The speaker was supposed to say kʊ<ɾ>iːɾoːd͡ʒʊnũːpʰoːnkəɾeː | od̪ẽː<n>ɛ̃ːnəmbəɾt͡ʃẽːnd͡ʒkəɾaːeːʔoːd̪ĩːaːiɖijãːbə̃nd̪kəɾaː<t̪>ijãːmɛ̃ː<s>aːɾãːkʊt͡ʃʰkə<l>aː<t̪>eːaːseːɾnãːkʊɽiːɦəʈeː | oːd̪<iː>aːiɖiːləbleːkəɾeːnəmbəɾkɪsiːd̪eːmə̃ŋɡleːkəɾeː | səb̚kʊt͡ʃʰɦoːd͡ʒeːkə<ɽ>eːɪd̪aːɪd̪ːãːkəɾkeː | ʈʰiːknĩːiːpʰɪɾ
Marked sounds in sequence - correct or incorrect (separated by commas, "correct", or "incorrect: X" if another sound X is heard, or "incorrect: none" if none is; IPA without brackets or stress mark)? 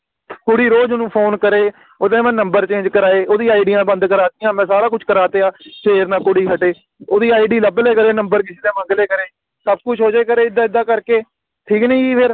incorrect: ɽ, incorrect: m, correct, correct, incorrect: ɾ, correct, correct, incorrect: ɾ